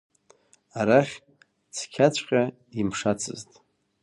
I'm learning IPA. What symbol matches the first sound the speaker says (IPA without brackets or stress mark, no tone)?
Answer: a